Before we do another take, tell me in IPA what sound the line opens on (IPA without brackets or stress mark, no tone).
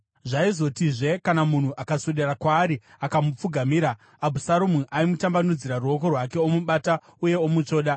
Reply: ʐ